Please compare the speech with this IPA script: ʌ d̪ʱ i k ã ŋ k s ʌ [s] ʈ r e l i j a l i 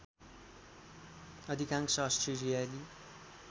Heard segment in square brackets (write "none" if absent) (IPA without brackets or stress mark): s